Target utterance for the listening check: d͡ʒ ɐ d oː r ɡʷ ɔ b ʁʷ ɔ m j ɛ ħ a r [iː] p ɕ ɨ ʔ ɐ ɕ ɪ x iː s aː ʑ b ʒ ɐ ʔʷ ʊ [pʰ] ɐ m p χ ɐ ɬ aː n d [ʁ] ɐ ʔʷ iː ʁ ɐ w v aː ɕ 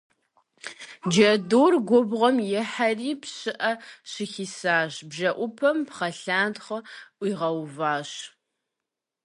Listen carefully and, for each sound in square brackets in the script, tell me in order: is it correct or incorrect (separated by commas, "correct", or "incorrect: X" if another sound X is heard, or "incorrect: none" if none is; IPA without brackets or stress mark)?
correct, correct, incorrect: χ